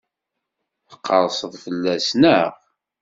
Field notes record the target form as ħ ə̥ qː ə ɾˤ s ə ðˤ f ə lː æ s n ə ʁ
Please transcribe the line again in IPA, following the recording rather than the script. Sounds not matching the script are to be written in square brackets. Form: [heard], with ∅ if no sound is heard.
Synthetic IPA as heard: [θ] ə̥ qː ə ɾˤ s ə ðˤ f ə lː æ s n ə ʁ

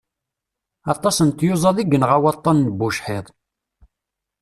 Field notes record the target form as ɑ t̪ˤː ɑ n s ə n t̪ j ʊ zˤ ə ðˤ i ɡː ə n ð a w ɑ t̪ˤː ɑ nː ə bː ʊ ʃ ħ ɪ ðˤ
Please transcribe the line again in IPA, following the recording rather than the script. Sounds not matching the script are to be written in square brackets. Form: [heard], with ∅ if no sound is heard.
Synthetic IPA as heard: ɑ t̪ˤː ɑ [∅] s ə n t̪ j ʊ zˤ [ɑ] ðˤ i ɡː ə n [ʁ] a w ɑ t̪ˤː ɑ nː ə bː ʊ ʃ ħ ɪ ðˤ

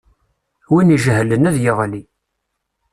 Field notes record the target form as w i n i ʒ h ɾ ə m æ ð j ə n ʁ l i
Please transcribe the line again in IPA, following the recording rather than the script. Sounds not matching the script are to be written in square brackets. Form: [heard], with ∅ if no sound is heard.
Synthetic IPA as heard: w i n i ʒ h [l] ə [n] æ ð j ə [∅] ʁ l i

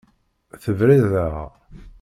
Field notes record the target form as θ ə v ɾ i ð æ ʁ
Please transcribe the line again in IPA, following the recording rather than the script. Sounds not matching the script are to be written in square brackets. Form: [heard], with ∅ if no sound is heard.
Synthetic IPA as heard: θ ə v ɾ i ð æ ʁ

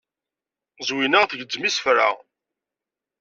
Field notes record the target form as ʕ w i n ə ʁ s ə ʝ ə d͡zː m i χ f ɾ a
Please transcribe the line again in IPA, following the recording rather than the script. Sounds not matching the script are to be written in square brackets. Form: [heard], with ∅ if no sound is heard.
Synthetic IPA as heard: [z] w i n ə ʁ [θ] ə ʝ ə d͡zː m i [s] f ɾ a

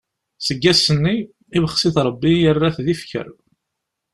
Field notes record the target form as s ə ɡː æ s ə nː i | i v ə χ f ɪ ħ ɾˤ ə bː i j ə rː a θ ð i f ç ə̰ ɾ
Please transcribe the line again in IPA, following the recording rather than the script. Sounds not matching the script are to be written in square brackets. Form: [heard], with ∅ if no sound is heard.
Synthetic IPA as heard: s ə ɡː æ s ə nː i | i v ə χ [s] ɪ [θ] ɾˤ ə bː i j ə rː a θ ð i f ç ə̰ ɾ

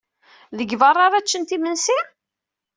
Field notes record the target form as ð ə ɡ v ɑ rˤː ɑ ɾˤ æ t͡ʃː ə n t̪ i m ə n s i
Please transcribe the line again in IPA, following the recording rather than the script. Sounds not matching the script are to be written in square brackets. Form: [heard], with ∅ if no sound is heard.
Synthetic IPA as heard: ð ə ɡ v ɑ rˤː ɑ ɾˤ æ t͡ʃː ə n t̪ i m ə n s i

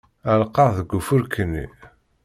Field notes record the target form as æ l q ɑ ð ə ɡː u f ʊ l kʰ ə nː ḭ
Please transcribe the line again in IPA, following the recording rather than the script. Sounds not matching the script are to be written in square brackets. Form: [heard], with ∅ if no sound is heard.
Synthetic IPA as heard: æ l q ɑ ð ə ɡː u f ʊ [ɾ] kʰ ə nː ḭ

